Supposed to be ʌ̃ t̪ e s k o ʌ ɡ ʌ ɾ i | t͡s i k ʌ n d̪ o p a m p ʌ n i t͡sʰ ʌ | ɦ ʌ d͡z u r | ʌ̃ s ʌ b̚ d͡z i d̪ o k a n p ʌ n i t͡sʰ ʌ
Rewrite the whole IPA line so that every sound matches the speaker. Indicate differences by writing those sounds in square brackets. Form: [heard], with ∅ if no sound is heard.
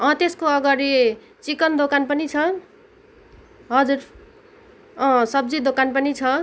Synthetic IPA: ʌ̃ t̪ e s k o ʌ ɡ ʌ ɾ i | t͡s i k ʌ n d̪ o [k] a [n] p ʌ n i t͡sʰ ʌ | ɦ ʌ d͡z u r | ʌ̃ s ʌ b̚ d͡z i d̪ o k a n p ʌ n i t͡sʰ ʌ